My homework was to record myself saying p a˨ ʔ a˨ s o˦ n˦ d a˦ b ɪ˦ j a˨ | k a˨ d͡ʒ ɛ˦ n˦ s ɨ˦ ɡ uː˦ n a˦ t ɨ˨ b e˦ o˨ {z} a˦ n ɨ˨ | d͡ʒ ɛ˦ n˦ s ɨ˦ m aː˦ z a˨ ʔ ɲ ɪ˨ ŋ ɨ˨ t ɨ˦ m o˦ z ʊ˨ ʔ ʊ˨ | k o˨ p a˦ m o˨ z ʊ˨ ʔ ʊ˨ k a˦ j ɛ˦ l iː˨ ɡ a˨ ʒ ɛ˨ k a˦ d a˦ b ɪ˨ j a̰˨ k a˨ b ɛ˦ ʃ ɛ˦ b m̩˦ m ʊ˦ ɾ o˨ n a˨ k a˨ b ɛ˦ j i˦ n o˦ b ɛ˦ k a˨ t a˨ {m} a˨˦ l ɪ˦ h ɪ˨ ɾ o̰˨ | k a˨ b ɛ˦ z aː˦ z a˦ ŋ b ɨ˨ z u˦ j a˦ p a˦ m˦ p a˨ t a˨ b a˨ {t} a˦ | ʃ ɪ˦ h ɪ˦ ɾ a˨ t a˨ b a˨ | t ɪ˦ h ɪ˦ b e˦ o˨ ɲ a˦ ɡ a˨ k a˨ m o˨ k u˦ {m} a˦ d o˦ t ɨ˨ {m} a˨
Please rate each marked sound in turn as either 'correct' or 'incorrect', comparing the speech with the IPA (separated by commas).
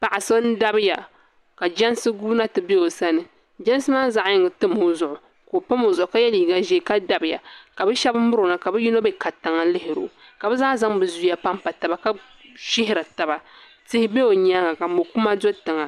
incorrect, incorrect, incorrect, correct, incorrect